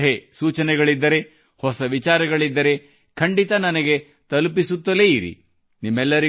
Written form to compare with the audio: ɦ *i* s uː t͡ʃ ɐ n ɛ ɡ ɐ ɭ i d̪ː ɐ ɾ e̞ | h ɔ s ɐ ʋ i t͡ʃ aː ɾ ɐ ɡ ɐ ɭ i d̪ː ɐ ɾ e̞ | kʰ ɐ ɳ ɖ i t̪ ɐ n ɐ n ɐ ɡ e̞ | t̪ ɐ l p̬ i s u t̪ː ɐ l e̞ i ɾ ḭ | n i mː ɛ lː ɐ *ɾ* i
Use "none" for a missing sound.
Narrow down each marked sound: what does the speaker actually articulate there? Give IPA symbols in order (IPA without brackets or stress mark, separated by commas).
e, ɾ